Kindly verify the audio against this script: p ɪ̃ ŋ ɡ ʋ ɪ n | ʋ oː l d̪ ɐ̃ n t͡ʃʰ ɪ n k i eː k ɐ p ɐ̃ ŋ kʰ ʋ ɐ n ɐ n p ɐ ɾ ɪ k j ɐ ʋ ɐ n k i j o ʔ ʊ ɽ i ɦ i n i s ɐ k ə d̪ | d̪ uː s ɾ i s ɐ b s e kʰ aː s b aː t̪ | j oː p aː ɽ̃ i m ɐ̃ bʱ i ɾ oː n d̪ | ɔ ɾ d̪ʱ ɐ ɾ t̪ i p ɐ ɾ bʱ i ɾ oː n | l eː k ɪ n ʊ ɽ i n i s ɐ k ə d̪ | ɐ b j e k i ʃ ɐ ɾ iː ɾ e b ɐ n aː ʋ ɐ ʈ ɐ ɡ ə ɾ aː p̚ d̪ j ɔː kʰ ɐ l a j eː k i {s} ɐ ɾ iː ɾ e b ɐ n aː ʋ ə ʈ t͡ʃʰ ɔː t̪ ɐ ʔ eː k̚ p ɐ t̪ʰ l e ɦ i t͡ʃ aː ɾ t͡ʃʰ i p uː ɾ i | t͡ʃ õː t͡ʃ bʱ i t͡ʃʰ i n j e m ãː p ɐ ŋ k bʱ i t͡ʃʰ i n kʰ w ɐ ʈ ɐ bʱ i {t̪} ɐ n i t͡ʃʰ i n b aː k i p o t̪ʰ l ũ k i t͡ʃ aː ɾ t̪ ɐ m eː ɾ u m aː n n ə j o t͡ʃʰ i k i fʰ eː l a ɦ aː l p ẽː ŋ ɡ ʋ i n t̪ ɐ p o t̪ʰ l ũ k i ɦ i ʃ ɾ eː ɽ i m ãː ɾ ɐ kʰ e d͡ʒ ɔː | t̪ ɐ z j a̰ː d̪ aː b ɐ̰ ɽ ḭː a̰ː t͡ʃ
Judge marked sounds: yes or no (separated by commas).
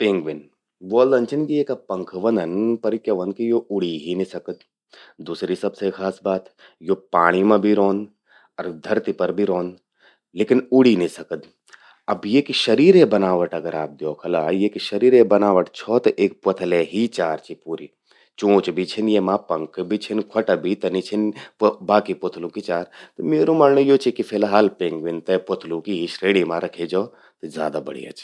no, yes